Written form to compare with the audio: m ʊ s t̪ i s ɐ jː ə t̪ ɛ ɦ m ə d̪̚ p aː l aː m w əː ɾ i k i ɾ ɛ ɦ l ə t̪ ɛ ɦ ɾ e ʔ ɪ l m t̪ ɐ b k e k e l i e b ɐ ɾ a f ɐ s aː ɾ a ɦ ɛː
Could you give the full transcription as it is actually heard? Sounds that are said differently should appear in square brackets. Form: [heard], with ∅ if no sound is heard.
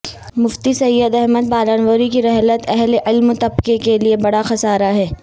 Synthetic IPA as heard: m ʊ [f] t̪ i s ɐ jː ə [d̪] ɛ ɦ m ə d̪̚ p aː l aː [n] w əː ɾ i k i ɾ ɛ ɦ l ə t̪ ɛ ɦ [l] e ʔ ɪ l m t̪ ɐ b k e k e l i e b ɐ [ɽ] a [x] ɐ s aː ɾ a ɦ ɛː